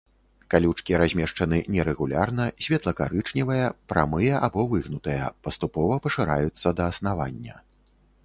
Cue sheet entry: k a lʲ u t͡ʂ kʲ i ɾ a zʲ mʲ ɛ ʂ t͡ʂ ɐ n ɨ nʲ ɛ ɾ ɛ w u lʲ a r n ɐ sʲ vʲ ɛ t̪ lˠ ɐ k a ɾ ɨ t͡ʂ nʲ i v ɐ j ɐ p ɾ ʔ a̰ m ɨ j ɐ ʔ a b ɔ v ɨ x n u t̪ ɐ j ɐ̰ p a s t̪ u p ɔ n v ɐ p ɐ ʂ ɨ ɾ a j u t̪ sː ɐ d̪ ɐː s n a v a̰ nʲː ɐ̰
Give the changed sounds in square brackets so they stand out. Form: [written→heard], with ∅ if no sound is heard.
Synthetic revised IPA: k a lʲ u t͡ʂ kʲ i ɾ a zʲ mʲ ɛ ʂ t͡ʂ ɐ n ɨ nʲ ɛ ɾ ɛ [w→ɣ] u lʲ a r n ɐ sʲ vʲ ɛ t̪ lˠ ɐ k a ɾ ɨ t͡ʂ nʲ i v ɐ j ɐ p ɾ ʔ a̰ m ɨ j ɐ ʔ a b ɔ v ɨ [x→ɣ] n u t̪ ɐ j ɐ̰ p [a→ɐ] s t̪ u p ɔ [n→∅] v ɐ p ɐ ʂ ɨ ɾ a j u t̪ sː ɐ d̪ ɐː s n a v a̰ nʲː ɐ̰

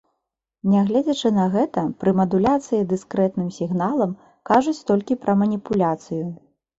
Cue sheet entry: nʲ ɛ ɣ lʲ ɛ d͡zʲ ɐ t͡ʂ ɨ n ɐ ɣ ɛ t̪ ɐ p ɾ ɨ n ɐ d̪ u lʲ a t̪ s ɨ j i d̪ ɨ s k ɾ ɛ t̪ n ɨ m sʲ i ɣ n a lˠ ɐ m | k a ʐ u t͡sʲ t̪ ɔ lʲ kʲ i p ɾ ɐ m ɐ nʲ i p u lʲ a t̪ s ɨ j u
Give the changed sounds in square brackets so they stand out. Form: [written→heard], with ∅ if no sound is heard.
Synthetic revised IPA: nʲ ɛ ɣ lʲ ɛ d͡zʲ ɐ t͡ʂ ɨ n ɐ ɣ ɛ t̪ ɐ p ɾ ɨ [n→m] ɐ d̪ u lʲ a t̪ s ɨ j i d̪ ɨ s k ɾ ɛ t̪ n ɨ m sʲ i ɣ n a lˠ ɐ m | k a ʐ u t͡sʲ t̪ ɔ lʲ kʲ i p ɾ ɐ m ɐ nʲ i p u lʲ a t̪ s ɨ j u

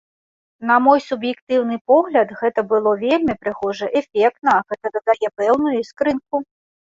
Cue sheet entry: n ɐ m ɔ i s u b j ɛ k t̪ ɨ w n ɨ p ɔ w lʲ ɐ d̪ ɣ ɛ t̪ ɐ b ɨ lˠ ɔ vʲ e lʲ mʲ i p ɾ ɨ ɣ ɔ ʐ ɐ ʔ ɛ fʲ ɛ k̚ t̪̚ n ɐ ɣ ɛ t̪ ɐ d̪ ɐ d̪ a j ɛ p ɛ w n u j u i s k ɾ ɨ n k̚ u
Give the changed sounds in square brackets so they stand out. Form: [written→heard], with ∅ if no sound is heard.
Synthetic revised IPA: n ɐ m ɔ [i→j] s u b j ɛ k t̪ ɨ w n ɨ p ɔ [w→ɣ] lʲ ɐ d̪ ɣ ɛ t̪ ɐ b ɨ lˠ ɔ vʲ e lʲ mʲ i p ɾ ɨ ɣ ɔ ʐ ɐ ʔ ɛ fʲ ɛ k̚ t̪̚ n ɐ ɣ ɛ t̪ ɐ d̪ ɐ d̪ a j ɛ p ɛ w n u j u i s k ɾ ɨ n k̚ u

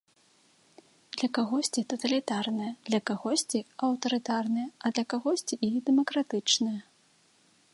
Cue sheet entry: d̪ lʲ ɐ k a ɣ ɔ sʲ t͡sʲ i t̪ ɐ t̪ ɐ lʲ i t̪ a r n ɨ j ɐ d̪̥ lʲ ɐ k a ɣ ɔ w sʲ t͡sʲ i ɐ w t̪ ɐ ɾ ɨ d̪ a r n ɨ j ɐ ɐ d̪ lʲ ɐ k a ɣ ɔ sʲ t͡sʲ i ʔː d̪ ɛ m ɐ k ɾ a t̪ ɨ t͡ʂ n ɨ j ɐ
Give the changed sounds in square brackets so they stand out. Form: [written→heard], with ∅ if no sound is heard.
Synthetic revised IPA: d̪ lʲ ɐ k a ɣ ɔ sʲ t͡sʲ i t̪ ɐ t̪ ɐ lʲ i t̪ a r n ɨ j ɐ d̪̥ lʲ ɐ k a ɣ ɔ [w→∅] sʲ t͡sʲ i ɐ w t̪ ɐ ɾ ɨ [d̪→t̪] a r n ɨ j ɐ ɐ d̪ lʲ ɐ k a ɣ ɔ sʲ t͡sʲ i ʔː d̪ ɛ m ɐ k ɾ a t̪ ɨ t͡ʂ n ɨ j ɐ

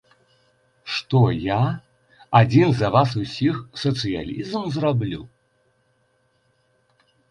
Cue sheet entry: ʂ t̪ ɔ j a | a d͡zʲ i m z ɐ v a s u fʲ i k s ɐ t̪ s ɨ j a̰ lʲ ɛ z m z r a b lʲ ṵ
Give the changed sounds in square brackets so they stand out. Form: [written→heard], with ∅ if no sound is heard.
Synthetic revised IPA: ʂ t̪ ɔ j a | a d͡zʲ i [m→n] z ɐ v a s u [fʲ→sʲ] i [k→x] s ɐ t̪ s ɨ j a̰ lʲ [ɛ→i] z m z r a b lʲ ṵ

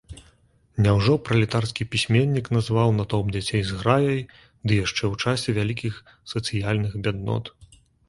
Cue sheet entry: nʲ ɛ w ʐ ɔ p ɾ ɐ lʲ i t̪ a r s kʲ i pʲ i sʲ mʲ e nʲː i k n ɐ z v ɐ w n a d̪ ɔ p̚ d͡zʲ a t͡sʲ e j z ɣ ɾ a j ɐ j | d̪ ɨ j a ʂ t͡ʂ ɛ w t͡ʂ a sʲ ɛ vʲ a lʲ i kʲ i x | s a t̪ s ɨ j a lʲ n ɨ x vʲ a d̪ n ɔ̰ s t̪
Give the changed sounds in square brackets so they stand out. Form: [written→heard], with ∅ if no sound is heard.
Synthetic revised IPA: nʲ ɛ w ʐ ɔ p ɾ ɐ lʲ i t̪ a r s kʲ i pʲ i sʲ mʲ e nʲː i k n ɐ z v [ɐ→a] w n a [d̪→t̪] ɔ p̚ d͡zʲ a t͡sʲ e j z ɣ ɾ a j ɐ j | d̪ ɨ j a ʂ t͡ʂ ɛ w t͡ʂ a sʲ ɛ vʲ a lʲ i kʲ i x | s [a→ɐ] t̪ s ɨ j a lʲ n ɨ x [vʲ→bʲ] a d̪ n ɔ̰ [s→∅] t̪

